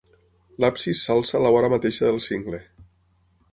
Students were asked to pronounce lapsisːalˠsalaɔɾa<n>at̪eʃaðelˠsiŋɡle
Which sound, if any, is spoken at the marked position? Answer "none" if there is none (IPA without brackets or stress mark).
m